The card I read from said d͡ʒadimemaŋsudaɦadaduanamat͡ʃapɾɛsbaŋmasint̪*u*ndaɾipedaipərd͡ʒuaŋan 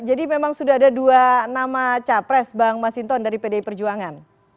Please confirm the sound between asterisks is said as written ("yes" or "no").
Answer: no